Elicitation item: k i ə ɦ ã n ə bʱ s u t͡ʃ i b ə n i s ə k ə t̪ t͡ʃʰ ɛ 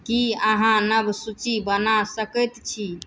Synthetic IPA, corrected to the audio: k i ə ɦ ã n ə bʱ s u t͡ʃ i b ə n a s ə k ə t̪ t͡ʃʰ i